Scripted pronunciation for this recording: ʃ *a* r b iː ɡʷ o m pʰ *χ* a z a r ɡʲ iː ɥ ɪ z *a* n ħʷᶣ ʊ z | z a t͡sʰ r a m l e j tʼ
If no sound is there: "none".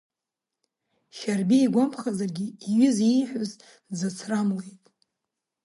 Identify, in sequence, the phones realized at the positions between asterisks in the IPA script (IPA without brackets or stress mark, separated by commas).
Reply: a, χ, i